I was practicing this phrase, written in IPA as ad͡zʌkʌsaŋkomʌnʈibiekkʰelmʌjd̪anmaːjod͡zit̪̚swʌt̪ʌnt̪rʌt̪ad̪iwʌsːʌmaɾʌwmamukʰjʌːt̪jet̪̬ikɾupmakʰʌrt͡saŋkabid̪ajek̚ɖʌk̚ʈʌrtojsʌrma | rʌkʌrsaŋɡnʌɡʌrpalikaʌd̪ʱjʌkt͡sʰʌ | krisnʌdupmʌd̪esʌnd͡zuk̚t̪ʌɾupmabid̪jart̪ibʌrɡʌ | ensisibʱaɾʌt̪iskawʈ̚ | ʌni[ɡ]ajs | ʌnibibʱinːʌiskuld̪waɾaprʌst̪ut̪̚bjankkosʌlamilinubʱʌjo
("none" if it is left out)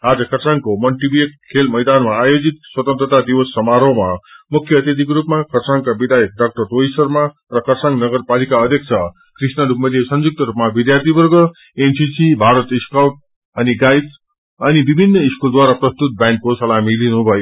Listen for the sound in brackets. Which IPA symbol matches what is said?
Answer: ɡ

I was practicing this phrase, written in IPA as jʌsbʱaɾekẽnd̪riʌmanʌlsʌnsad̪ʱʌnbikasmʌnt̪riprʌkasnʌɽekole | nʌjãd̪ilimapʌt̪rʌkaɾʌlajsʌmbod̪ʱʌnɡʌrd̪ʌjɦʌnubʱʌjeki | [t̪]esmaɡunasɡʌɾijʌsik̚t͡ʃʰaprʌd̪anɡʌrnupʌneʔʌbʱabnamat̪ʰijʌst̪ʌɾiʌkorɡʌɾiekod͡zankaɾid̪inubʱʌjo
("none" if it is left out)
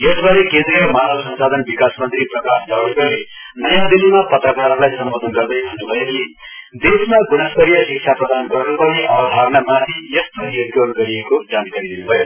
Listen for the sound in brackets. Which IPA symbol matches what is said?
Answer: d̪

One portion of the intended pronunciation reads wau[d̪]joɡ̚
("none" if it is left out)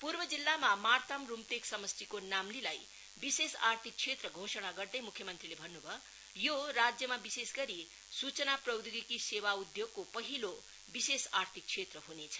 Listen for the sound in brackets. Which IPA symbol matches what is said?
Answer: d̪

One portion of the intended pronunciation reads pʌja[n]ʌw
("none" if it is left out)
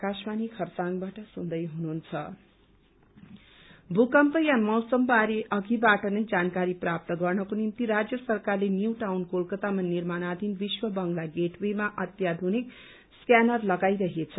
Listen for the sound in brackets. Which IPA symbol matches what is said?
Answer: m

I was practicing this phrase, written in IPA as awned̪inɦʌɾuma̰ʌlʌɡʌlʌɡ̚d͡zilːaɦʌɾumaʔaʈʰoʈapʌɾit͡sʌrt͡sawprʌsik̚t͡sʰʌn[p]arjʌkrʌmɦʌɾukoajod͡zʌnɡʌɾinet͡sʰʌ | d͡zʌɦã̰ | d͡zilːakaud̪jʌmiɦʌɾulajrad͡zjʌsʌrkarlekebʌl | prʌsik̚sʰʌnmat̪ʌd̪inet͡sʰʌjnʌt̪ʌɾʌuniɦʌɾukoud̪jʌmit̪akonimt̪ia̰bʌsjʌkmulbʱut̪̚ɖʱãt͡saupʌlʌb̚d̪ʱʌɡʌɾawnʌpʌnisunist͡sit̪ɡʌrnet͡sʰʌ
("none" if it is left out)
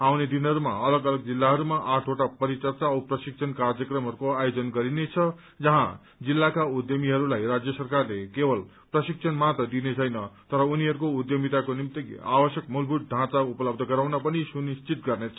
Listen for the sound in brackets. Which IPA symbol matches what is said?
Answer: k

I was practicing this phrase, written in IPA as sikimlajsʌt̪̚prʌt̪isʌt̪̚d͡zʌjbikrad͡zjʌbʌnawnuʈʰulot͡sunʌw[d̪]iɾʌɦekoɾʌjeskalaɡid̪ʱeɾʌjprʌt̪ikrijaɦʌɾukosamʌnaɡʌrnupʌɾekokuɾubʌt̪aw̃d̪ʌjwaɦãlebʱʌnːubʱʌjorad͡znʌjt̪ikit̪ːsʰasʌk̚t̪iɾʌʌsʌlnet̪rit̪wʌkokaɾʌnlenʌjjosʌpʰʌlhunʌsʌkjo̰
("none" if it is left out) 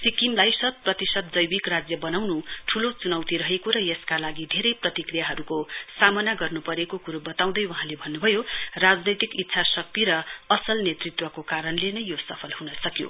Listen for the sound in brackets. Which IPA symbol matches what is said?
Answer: t̪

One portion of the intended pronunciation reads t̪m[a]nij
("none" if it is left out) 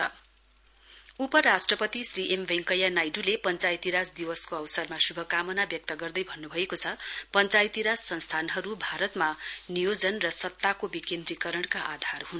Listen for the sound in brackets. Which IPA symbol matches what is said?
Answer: a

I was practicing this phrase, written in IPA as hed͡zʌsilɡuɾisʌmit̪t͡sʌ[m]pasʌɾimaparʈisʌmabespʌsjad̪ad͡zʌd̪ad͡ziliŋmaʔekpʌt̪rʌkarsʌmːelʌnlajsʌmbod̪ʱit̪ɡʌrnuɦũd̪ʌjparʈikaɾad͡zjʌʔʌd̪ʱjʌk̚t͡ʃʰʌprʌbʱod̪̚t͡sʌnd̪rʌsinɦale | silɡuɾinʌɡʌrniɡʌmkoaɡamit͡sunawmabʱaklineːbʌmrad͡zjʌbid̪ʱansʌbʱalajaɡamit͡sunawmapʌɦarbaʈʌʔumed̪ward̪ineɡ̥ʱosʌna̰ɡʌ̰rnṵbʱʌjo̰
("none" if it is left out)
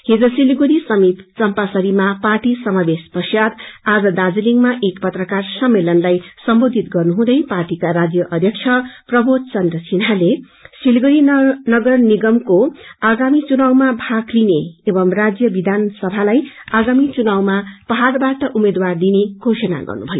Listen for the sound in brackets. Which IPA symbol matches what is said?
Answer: m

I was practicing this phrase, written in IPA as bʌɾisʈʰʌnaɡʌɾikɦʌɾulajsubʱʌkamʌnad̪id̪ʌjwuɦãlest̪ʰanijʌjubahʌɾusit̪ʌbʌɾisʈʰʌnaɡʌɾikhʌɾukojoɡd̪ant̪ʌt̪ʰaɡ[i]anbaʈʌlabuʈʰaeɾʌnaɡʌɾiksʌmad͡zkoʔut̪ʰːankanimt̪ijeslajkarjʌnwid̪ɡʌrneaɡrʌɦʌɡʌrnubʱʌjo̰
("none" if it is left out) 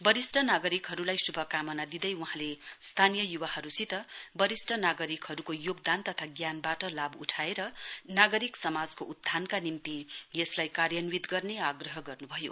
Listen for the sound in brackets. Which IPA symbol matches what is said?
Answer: j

